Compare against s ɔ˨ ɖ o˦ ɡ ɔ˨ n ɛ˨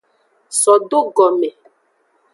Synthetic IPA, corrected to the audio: s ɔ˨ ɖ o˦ ɡ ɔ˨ m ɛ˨